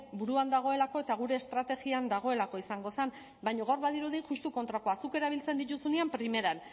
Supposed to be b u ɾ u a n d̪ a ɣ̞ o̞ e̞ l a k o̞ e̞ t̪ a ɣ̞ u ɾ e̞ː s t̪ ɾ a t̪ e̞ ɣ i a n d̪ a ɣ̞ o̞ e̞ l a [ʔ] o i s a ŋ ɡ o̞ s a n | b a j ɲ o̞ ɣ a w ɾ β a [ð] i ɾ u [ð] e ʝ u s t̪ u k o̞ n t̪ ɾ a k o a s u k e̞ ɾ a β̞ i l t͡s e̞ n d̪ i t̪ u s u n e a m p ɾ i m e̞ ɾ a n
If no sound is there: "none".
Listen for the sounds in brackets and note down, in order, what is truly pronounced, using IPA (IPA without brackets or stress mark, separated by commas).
k, ð, ð